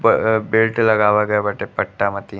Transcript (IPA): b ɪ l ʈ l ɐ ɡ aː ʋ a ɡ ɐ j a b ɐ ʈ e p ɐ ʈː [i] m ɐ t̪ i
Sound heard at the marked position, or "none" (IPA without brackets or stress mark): a